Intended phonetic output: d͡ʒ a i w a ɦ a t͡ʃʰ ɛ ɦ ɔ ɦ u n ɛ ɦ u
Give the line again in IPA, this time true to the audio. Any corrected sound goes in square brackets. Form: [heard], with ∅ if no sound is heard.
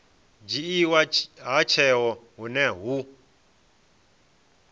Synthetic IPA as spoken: d͡ʒ [i] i w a ɦ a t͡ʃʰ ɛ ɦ ɔ ɦ u n ɛ ɦ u

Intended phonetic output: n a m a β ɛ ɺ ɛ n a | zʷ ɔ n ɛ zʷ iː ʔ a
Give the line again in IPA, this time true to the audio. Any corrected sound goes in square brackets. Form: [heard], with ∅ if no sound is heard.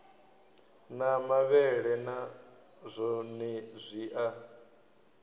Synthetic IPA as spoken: n a m a β ɛ ɺ ɛ n a | zʷ ɔ n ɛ zʷ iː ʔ a

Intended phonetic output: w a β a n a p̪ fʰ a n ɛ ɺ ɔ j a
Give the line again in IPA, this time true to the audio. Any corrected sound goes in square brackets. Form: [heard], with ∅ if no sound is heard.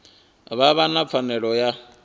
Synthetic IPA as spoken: [β] a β a n a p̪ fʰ a n ɛ ɺ ɔ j a

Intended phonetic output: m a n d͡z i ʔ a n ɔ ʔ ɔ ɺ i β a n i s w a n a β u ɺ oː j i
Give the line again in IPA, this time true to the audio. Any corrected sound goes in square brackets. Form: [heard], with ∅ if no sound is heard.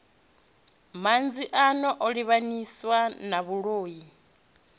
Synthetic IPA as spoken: m a n d͡z i ʔ a n ɔ ʔ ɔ ɺ i β a n i s w a n a β u ɺ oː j i

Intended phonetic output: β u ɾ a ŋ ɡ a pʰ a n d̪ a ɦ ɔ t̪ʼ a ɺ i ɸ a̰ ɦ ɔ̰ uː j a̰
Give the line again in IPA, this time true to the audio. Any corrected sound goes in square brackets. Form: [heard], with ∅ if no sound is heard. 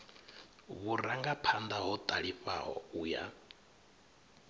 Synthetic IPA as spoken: β u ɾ a ŋ ɡ a pʰ a n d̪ a ɦ ɔ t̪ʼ a ɺ i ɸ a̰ ɦ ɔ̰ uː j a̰

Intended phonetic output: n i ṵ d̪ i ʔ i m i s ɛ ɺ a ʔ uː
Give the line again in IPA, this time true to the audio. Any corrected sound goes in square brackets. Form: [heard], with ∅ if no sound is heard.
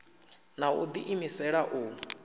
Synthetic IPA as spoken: n [a] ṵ d̪ i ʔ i m i s ɛ ɺ a ʔ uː

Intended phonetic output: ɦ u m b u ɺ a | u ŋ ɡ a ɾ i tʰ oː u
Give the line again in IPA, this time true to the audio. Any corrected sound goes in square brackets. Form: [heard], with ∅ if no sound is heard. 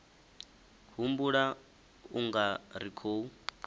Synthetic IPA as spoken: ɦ u m b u ɺ a | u ŋ ɡ a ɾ i [kʰ] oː u

